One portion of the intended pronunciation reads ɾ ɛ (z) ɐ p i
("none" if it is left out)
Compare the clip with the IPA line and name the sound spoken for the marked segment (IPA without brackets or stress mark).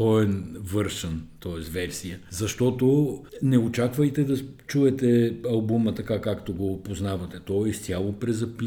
z